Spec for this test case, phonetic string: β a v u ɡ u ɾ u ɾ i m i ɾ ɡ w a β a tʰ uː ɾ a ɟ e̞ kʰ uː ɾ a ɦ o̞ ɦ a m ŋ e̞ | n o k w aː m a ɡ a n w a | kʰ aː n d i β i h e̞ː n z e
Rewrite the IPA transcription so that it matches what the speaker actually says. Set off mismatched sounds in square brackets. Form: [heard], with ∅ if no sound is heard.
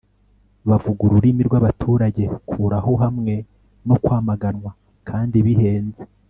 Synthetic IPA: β a v u ɡ u ɾ u ɾ i m i ɾ ɡ w a β a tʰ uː ɾ a ɟ e̞ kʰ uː ɾ a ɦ o̞ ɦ a m ŋ e̞ | n o k w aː m a ɡ a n w a | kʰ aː n d i β i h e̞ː n z e